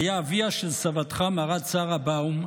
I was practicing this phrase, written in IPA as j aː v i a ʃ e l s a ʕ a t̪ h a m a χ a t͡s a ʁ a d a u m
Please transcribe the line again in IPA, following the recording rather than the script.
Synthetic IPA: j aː v i a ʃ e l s a v a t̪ χ a m a ʁ a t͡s a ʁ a b a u m